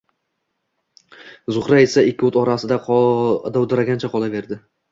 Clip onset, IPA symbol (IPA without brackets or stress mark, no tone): z